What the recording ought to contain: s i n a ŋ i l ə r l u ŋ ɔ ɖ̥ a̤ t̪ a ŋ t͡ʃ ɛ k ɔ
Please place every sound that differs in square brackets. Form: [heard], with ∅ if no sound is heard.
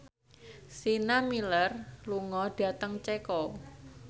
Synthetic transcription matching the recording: s i n a [m] i l ə r l u ŋ ɔ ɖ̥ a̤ t̪ [ə] ŋ t͡ʃ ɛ k ɔ